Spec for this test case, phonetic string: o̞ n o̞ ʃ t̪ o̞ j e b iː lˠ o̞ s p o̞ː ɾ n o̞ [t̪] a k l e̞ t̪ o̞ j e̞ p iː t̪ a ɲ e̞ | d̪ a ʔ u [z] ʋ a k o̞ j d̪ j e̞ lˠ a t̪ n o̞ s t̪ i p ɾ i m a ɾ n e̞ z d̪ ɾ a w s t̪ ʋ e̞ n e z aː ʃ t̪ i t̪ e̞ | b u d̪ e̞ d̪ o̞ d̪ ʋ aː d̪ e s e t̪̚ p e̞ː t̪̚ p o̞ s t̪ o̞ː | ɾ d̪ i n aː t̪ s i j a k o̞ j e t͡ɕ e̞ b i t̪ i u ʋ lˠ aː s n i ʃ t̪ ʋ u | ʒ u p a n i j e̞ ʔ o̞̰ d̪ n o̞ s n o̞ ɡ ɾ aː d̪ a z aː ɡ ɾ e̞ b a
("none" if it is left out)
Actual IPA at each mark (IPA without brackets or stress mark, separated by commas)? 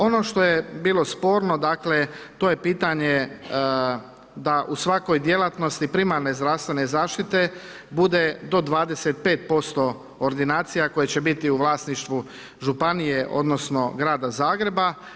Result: d̪, s